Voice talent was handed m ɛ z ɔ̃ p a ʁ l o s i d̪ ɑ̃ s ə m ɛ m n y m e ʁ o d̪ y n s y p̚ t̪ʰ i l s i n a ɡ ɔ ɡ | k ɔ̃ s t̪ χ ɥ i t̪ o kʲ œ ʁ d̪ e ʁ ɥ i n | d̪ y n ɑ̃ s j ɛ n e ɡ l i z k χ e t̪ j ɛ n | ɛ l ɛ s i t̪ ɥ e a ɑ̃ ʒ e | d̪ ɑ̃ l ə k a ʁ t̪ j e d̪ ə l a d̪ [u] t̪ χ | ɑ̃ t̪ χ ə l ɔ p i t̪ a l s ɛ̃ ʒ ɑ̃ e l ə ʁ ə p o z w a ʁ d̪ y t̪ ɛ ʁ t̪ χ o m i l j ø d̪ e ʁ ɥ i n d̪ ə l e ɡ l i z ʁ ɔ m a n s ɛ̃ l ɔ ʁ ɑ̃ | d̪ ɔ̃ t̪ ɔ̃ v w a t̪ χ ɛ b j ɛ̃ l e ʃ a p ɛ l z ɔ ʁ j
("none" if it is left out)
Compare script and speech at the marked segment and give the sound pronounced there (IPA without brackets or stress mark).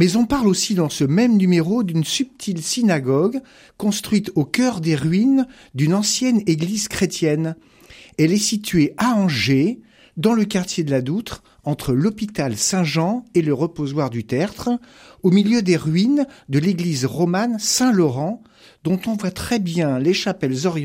u